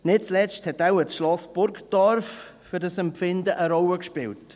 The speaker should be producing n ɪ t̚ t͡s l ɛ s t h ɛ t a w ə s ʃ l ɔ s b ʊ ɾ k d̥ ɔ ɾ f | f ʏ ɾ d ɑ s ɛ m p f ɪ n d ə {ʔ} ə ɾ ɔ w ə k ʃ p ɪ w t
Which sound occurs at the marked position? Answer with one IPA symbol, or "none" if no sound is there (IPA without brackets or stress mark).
ʔ